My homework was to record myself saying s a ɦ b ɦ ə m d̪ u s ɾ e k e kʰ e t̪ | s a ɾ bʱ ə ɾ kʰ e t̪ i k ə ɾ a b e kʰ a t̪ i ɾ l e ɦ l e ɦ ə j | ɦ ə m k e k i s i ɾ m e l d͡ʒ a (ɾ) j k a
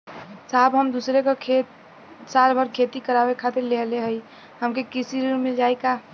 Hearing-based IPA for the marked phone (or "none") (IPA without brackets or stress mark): none